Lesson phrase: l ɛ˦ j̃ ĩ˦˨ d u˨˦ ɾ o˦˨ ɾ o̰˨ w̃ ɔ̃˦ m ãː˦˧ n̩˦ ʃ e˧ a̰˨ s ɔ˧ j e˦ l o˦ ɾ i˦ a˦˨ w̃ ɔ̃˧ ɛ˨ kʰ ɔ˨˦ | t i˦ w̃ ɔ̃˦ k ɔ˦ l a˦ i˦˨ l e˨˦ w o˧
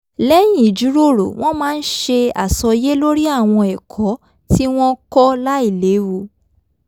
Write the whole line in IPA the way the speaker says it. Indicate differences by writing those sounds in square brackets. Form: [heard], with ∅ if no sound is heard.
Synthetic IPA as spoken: l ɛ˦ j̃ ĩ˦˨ [d͡ʒ] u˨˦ ɾ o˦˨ ɾ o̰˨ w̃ ɔ̃˦ m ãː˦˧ n̩˦ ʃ e˧ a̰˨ s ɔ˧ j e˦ l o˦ ɾ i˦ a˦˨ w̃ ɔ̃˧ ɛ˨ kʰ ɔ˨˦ | t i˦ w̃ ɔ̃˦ k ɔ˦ l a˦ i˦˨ l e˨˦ w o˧

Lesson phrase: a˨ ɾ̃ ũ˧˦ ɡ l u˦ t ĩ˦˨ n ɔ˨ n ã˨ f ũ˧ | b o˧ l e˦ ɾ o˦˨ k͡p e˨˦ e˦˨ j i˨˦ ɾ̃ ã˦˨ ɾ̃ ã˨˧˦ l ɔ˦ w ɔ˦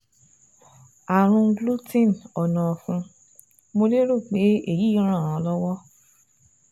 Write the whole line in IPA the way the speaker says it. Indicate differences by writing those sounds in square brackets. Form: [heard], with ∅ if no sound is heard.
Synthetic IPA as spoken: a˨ ɾ̃ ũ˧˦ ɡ l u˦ t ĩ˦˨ n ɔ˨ n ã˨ f ũ˧ | [m] o˧ l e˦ ɾ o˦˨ k͡p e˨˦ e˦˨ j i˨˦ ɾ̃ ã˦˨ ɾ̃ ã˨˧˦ l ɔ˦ w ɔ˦

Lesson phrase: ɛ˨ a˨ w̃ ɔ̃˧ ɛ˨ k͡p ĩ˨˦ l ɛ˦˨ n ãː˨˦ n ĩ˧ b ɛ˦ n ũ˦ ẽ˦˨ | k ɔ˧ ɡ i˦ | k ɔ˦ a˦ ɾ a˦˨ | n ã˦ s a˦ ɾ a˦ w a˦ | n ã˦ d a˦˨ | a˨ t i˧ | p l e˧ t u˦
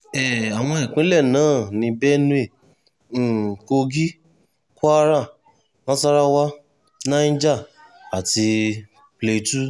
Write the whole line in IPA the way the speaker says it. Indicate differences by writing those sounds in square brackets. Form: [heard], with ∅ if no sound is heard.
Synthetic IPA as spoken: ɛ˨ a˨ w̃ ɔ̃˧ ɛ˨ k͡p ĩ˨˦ l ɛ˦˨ n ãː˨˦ n ĩ˧ b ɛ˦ n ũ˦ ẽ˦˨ | k [o˧] ɡ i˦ | k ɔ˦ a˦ ɾ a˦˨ | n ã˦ s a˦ ɾ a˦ w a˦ | n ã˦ [d͡ʒ] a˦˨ | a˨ t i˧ | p l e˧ t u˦

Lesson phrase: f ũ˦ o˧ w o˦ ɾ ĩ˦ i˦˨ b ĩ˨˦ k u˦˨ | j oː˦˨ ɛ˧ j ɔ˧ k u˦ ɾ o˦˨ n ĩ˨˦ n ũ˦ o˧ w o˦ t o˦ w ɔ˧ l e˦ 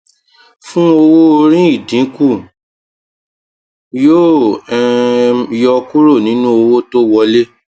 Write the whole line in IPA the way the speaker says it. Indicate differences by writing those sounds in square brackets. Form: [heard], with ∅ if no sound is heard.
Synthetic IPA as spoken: f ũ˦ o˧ w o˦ ɾ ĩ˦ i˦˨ [d] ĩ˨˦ k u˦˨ | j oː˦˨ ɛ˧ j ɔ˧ k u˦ ɾ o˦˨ n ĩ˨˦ n ũ˦ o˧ w o˦ t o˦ w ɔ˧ l e˦

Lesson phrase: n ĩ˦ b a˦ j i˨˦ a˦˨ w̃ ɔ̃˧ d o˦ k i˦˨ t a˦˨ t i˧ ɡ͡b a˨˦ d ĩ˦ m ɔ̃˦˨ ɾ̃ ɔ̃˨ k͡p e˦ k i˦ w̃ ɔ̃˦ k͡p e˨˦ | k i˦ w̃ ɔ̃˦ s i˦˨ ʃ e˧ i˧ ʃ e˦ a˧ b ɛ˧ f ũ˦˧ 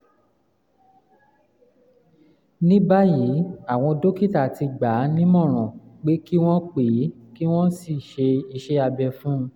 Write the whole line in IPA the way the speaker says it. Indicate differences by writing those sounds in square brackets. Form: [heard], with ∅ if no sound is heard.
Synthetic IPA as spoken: n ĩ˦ b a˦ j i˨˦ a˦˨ w̃ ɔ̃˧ d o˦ k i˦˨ t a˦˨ t i˧ ɡ͡b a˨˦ [n] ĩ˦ m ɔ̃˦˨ ɾ̃ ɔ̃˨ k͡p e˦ k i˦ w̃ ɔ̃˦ k͡p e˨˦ | k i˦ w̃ ɔ̃˦ s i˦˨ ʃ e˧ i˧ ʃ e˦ a˧ b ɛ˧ f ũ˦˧

